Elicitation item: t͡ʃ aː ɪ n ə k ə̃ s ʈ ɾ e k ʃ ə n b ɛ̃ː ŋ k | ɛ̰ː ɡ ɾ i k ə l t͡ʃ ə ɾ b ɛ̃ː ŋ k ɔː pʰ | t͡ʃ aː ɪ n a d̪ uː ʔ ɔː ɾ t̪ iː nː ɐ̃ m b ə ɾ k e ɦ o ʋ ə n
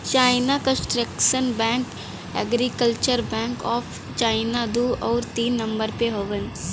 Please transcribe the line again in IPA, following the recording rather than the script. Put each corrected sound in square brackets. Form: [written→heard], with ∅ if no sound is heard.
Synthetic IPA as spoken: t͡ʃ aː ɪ n [ə→a] k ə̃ s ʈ ɾ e k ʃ ə n b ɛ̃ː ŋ k | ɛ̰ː ɡ ɾ i k ə l t͡ʃ ə ɾ b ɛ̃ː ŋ k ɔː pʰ | t͡ʃ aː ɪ n a d̪ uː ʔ ɔː ɾ t̪ iː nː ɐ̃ m b ə ɾ [k→p] e ɦ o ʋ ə n